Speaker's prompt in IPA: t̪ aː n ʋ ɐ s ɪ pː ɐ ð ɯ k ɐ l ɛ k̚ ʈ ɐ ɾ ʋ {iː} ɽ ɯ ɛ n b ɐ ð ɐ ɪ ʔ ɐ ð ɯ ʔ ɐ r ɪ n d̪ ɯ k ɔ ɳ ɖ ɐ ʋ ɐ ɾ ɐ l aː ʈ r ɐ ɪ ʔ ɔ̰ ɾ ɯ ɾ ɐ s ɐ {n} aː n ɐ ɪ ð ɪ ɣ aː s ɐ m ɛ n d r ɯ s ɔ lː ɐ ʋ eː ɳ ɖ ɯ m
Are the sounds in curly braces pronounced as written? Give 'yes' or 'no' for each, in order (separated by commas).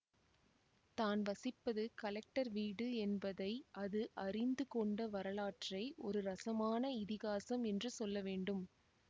yes, no